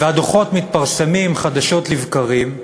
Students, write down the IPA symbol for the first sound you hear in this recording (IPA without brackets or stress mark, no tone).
v